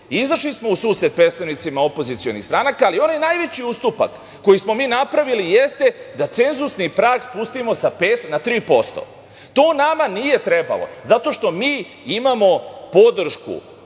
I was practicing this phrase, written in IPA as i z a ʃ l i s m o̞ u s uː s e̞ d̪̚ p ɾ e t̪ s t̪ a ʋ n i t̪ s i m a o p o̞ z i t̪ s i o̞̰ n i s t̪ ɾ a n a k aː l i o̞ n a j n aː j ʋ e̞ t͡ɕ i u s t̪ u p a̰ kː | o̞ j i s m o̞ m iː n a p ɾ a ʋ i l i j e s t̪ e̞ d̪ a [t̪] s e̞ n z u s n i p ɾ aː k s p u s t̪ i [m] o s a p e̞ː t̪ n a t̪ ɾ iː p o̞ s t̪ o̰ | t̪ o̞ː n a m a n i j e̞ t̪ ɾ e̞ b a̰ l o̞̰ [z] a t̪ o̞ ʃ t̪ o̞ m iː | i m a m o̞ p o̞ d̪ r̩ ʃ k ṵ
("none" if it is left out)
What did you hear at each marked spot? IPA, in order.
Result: t̪, m, z

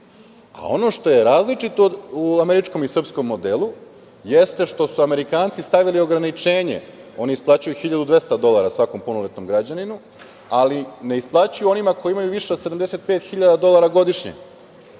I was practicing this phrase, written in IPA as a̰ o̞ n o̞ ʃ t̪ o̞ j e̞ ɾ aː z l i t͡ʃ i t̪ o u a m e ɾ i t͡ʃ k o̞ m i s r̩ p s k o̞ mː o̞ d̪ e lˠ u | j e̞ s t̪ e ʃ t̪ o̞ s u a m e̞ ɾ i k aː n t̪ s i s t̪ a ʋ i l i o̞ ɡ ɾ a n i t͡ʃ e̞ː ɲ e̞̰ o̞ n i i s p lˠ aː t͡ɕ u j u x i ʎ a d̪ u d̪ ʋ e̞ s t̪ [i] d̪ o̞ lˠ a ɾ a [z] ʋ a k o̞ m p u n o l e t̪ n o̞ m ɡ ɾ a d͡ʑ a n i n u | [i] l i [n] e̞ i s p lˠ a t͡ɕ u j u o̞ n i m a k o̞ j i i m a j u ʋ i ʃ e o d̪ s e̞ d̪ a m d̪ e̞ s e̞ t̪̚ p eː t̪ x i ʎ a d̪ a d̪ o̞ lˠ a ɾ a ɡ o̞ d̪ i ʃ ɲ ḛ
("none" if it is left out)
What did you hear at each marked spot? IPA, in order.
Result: a, s, a, n

